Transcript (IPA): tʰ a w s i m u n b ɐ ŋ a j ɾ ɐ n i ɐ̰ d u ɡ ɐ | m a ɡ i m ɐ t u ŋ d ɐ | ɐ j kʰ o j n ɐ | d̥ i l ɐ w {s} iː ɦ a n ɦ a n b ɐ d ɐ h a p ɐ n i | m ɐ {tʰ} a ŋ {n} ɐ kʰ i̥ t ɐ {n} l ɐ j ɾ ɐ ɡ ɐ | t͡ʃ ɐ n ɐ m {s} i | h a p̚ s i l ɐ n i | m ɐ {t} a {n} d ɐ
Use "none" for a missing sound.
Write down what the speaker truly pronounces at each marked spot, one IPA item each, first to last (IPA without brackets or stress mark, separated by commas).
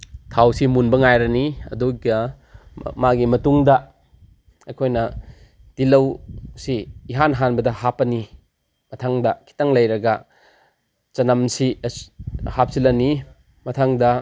s, tʰ, d, ŋ, s, tʰ, ŋ